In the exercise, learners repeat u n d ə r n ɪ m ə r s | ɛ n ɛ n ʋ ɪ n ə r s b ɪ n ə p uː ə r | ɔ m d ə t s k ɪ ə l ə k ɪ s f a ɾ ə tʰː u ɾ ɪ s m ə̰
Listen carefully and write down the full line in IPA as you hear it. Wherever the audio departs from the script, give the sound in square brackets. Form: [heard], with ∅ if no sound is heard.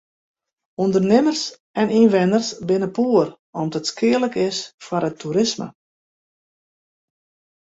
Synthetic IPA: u n d ə r n ɪ m ə r s | ɛ n [i] n ʋ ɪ n ə r s b ɪ n ə p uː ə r | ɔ m d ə t s k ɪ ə l ə k ɪ s f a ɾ ə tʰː u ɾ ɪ s m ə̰